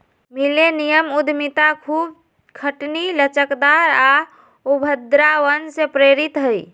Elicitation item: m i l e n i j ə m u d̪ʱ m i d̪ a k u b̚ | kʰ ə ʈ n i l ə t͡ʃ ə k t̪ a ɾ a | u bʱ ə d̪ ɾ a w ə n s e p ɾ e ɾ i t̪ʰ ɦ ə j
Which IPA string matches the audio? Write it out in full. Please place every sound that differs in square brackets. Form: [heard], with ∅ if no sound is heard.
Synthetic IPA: m i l e n i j ə m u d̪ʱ m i [t̪] a [kʰ] u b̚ | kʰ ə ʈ n i l ə t͡ʃ ə k [d̪] a ɾ a | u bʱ ə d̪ ɾ a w ə n s e p ɾ e ɾ i [t̪] ɦ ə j